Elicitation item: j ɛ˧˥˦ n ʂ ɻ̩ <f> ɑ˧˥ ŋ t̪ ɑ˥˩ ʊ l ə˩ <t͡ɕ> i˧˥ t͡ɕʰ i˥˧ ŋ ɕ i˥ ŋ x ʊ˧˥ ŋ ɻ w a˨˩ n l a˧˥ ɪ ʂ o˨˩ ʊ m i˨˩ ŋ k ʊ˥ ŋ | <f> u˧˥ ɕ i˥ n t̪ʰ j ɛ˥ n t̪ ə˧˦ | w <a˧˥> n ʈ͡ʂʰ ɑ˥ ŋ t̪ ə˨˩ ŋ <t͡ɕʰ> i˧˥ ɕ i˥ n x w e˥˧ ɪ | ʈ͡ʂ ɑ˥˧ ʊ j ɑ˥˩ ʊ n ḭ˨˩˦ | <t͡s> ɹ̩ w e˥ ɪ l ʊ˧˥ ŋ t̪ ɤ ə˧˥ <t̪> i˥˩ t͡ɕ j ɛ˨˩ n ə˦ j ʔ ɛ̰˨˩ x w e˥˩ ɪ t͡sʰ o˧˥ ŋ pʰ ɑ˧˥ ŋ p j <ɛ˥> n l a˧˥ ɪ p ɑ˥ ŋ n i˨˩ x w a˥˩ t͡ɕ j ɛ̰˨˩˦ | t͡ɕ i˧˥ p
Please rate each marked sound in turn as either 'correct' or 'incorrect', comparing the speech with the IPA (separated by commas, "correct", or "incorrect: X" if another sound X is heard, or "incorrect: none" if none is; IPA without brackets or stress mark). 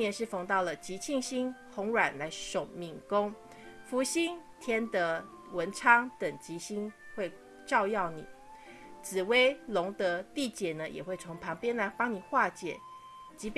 correct, correct, correct, incorrect: ə˧˥, incorrect: t͡ɕ, correct, correct, correct